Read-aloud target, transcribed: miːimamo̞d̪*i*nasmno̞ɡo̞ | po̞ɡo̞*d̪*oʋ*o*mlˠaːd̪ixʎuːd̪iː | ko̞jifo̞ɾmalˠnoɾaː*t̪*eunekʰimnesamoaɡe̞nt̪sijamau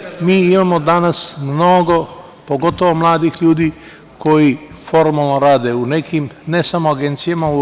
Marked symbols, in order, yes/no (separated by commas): no, no, yes, no